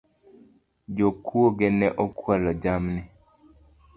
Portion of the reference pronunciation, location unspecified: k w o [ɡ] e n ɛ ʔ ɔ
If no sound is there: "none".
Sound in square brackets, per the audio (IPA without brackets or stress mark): ɡ